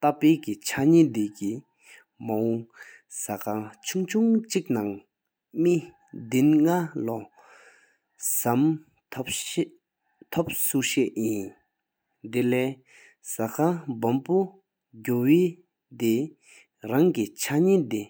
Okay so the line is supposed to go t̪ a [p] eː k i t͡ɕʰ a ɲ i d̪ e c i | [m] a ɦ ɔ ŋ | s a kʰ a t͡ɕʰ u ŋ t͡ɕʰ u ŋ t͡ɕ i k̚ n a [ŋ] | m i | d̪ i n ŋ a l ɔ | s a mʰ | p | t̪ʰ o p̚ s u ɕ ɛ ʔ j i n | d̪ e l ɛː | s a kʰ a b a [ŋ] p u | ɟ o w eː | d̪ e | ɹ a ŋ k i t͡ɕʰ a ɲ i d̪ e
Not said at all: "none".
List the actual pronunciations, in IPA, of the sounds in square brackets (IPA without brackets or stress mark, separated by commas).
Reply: p, m, ŋ, m